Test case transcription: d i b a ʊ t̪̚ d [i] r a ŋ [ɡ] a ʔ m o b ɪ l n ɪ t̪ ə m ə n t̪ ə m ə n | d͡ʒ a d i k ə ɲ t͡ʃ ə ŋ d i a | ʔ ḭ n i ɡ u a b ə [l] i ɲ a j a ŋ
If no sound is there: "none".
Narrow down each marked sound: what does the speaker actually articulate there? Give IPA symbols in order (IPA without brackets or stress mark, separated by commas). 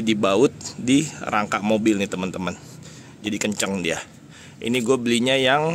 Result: i, k, l